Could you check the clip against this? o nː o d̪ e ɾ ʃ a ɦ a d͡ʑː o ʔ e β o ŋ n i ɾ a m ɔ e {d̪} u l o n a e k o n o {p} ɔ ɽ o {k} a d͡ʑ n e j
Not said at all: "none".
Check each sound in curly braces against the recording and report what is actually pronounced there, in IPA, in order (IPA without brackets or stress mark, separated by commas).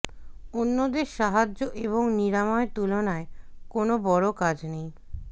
t̪, b, k